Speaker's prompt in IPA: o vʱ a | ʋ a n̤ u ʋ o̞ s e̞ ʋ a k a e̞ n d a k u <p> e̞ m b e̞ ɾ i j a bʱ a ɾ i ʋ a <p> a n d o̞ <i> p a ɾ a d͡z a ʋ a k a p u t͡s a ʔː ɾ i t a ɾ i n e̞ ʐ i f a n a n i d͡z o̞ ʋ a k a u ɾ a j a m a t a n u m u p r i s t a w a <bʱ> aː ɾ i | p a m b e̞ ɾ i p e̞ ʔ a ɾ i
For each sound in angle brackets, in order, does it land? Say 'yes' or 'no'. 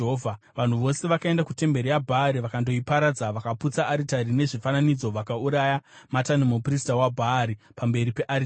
no, no, yes, yes

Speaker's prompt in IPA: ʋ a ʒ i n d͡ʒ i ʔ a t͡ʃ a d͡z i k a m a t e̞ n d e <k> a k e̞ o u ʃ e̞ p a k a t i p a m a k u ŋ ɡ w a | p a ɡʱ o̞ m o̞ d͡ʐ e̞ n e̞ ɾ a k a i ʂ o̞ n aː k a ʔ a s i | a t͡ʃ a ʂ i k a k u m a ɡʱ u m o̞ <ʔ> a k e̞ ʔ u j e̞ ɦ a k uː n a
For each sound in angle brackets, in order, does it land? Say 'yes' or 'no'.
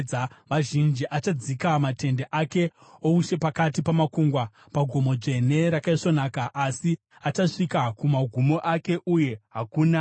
no, yes

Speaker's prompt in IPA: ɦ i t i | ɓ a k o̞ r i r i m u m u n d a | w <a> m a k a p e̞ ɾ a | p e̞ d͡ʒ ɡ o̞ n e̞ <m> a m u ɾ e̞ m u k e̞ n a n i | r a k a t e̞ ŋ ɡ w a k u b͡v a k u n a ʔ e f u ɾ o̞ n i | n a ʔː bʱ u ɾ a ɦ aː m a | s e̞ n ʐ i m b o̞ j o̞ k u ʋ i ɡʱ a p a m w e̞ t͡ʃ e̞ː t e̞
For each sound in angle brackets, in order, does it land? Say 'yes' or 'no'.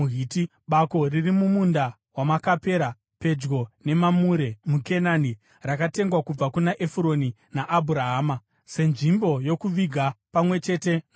yes, yes

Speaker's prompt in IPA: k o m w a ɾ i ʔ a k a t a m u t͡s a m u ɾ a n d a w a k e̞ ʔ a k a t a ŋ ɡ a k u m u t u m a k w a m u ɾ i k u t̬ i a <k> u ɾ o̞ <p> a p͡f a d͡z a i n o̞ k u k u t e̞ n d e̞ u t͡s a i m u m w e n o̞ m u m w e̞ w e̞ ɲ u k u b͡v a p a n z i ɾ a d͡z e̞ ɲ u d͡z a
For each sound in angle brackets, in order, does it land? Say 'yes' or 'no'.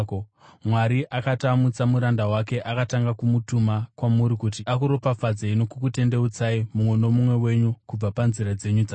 yes, yes

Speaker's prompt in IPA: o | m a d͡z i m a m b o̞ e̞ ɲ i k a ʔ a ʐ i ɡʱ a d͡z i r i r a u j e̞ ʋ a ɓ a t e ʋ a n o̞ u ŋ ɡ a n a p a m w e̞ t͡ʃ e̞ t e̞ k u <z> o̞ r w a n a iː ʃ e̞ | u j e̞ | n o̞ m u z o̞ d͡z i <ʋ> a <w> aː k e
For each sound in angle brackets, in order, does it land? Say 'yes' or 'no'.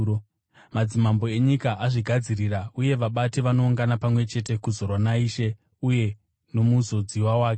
yes, no, yes

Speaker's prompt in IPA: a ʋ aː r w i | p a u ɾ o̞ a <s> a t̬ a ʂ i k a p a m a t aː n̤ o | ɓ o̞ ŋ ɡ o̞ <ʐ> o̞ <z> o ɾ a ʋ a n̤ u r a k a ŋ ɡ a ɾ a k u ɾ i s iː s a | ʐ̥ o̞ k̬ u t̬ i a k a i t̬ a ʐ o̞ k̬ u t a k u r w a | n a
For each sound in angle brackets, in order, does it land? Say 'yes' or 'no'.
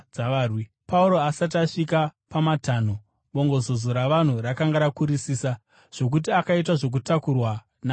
yes, no, yes

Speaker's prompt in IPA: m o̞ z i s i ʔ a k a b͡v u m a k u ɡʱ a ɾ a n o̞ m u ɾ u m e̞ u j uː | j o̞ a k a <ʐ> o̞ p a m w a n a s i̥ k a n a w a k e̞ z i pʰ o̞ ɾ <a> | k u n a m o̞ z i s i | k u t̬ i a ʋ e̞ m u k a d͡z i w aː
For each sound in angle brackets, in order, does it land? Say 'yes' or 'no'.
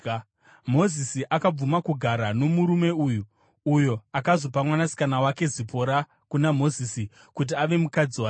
no, yes

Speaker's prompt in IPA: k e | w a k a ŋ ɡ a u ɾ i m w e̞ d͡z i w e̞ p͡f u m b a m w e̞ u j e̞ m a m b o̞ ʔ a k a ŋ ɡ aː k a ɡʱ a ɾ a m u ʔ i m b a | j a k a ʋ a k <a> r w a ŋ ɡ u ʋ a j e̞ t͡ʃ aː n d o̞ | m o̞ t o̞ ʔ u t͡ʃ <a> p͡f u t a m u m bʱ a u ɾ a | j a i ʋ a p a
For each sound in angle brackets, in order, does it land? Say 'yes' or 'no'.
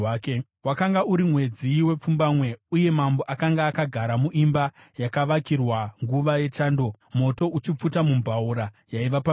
no, no

